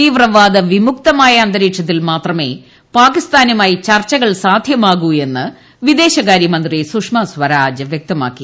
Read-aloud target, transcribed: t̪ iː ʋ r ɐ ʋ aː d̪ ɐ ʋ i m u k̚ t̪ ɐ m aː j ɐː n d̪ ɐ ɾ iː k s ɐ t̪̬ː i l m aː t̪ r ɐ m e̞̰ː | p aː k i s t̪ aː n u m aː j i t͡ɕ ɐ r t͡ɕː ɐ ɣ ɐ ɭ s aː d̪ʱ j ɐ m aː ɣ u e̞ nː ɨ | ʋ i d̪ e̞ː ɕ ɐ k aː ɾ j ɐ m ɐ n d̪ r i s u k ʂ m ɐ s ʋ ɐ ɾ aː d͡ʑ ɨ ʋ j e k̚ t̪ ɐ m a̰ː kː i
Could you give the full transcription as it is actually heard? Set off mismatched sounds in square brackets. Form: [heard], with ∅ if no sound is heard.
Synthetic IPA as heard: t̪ iː ʋ r ɐ ʋ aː d̪ ɐ ʋ i m u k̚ t̪ ɐ m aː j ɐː n d̪ ɐ ɾ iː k [ʂ] ɐ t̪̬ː i l m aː t̪ r ɐ m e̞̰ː | p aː k i s t̪ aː n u m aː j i t͡ɕ ɐ r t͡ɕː ɐ ɣ ɐ ɭ s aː d̪ʱ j ɐ m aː ɣ u e̞ nː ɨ | ʋ i d̪ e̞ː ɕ ɐ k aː ɾ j ɐ m ɐ n d̪ r i s u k ʂ m ɐ s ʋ ɐ ɾ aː d͡ʑ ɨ ʋ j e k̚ t̪ ɐ m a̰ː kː i